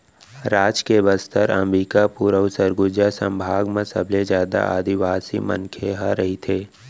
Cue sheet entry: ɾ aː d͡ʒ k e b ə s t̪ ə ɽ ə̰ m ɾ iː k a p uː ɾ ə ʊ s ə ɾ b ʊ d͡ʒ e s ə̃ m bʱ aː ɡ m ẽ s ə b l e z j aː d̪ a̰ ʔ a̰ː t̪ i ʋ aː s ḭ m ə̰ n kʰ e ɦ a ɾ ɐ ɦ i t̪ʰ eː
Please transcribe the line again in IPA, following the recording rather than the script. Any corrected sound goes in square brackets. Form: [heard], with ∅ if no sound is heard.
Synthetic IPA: ɾ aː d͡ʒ k e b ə s t̪ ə [ɾ] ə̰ m ɾ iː k a p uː ɾ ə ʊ s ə ɾ [ɡ] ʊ d͡ʒ [a] s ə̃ m bʱ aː ɡ m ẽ s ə b l e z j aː d̪ a̰ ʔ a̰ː [d̪] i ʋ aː s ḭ m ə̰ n kʰ e ɦ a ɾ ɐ ɦ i t̪ʰ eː